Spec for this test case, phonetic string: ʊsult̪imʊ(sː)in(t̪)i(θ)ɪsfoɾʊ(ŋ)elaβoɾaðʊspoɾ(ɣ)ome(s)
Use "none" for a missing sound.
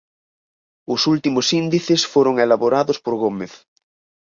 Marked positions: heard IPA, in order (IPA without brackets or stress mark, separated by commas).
s, d̪, θ, ŋ, ɣ, θ